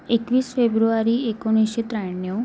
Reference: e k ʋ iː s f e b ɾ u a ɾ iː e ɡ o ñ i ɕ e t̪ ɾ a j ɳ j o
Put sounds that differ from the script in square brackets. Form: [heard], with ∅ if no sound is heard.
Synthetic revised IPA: e k ʋ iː s f e b ɾ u a ɾ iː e [k] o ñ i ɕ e t̪ ɾ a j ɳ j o